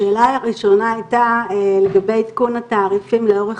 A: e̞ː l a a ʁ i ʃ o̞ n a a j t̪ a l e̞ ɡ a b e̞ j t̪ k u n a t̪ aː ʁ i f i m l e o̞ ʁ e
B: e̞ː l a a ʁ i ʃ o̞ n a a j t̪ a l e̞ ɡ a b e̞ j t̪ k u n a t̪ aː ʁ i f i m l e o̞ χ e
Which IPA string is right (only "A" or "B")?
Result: A